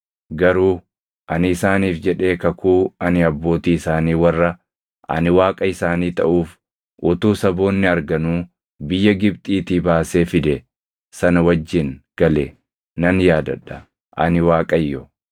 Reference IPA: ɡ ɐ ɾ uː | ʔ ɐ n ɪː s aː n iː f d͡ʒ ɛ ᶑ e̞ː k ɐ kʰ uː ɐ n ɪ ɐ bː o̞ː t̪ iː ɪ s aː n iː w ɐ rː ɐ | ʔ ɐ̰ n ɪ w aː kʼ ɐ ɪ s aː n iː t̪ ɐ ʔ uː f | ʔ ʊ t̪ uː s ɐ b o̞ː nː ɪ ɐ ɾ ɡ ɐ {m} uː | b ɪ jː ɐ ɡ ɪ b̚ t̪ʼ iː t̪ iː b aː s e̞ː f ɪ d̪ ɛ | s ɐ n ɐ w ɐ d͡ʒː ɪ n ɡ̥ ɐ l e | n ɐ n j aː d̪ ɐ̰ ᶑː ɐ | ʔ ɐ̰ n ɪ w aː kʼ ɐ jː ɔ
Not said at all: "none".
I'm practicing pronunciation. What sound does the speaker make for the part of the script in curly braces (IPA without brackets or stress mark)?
n